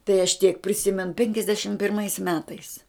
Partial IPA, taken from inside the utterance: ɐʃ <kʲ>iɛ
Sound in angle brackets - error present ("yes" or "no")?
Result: yes